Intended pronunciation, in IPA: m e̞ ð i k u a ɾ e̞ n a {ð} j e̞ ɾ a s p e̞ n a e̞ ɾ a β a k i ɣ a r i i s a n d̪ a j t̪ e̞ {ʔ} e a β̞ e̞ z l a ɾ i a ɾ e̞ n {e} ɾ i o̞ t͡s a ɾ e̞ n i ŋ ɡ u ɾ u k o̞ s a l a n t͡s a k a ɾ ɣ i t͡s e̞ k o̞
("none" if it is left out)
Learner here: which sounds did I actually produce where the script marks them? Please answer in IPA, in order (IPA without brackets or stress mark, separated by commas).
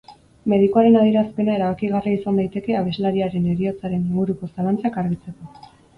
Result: ð, k, e